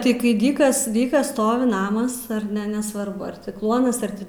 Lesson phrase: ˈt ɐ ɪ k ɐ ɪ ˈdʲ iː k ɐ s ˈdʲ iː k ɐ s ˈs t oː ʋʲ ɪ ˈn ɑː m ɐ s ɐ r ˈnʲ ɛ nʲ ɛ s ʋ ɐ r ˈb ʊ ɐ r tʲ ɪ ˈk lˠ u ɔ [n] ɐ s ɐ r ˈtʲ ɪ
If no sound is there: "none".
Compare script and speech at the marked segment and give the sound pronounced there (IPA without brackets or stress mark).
n